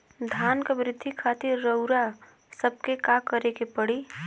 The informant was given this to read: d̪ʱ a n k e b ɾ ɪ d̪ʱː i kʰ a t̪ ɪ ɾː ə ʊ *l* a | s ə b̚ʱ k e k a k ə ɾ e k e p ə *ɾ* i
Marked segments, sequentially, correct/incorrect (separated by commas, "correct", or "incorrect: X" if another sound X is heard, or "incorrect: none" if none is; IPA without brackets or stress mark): incorrect: ɾ, incorrect: ɽ